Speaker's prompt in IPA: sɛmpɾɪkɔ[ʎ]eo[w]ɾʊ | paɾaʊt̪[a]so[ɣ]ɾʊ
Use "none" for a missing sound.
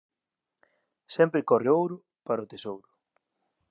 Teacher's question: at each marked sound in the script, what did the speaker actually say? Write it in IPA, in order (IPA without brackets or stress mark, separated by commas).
r, w, e, w